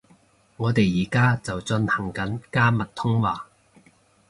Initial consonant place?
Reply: velar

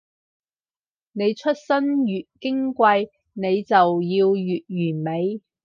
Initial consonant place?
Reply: alveolar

